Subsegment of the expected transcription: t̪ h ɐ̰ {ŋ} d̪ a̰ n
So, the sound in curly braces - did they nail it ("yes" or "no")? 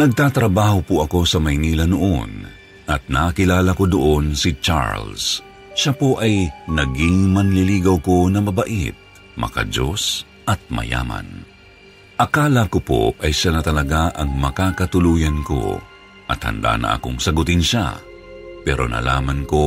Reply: no